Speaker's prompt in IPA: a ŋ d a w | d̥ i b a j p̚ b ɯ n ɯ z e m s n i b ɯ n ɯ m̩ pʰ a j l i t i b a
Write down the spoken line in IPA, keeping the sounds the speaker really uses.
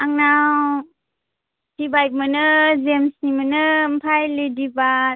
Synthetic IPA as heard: a ŋ n a w | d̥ i b a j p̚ m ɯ n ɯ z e m s n i m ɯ n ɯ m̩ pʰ a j l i d i b a